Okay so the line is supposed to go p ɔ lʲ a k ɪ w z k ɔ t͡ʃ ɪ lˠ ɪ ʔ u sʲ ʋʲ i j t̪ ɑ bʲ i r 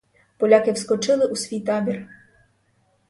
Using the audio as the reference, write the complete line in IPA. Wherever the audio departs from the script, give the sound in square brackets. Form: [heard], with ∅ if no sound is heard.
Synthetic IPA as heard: p ɔ lʲ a k ɪ w [s] k ɔ t͡ʃ ɪ lˠ ɪ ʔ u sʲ ʋʲ i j t̪ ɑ bʲ i r